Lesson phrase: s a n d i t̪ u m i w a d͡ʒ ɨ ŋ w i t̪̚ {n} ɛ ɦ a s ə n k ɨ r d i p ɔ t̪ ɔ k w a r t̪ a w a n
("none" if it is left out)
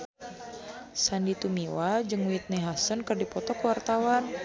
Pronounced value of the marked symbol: n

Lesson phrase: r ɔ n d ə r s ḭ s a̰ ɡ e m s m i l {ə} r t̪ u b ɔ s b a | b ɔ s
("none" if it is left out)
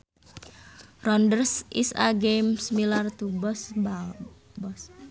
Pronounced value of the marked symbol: a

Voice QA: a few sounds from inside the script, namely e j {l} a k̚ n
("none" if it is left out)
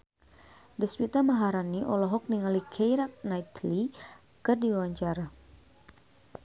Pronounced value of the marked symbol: ɾ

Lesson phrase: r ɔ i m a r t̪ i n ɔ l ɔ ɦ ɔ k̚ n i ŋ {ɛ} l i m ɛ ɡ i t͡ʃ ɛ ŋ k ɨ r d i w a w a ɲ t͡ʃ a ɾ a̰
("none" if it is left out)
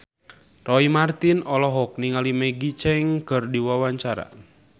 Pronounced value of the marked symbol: a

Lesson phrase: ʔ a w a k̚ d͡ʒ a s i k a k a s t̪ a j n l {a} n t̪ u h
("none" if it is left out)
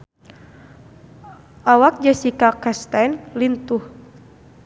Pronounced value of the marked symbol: i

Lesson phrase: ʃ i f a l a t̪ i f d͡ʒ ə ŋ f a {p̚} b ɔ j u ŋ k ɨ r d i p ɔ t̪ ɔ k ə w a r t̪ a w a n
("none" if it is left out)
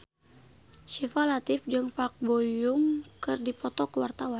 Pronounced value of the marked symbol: k̚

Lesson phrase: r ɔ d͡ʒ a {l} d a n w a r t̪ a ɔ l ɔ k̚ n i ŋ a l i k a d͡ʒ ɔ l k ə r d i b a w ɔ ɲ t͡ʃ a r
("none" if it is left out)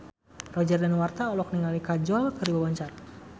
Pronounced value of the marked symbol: r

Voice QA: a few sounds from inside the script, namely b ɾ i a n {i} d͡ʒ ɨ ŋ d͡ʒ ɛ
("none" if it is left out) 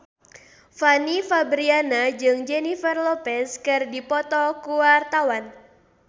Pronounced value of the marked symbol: a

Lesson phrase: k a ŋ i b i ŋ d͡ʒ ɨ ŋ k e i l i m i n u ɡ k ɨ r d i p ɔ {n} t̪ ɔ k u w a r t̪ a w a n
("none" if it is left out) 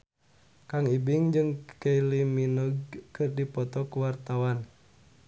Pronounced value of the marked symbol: none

